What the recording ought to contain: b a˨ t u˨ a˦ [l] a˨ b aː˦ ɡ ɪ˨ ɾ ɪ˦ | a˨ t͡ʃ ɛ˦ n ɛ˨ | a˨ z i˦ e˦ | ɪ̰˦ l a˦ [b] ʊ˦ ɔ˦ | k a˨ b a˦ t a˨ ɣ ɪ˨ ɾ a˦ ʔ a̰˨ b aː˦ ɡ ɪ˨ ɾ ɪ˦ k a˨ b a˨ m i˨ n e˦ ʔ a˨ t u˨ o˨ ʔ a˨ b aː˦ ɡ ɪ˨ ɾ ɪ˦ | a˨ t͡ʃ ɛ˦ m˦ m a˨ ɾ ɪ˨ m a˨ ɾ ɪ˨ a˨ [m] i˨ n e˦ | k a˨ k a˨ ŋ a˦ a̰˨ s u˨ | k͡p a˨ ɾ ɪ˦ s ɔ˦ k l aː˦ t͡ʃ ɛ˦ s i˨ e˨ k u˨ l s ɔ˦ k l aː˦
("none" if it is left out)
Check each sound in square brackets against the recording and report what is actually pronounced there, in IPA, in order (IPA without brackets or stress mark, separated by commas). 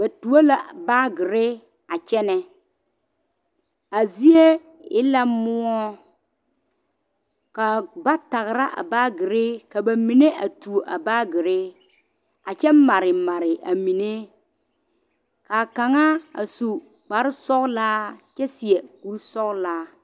l, m, m